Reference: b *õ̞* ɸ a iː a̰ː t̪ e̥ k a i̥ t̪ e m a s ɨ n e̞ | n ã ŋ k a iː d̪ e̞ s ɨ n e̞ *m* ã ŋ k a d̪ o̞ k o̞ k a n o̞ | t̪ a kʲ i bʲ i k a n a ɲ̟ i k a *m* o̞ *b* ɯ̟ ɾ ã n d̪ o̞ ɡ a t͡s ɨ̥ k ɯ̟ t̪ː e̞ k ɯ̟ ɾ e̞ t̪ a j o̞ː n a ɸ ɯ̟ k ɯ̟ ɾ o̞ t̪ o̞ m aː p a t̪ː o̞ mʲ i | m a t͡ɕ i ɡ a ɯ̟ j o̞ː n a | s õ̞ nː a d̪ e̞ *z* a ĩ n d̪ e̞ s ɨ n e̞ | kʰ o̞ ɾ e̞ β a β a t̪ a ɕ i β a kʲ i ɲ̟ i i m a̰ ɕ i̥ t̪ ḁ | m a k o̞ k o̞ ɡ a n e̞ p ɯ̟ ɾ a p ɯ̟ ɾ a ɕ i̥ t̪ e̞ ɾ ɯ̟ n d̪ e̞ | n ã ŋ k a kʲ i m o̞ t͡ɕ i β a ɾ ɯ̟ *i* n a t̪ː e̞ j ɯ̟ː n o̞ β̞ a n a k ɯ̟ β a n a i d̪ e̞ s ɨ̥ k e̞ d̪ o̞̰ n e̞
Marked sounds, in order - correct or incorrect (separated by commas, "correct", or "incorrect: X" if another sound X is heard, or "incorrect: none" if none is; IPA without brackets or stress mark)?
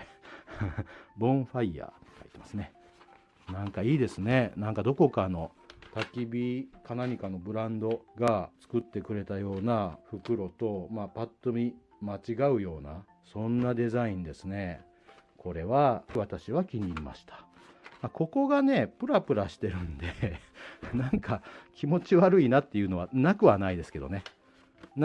correct, incorrect: n, incorrect: n, correct, correct, correct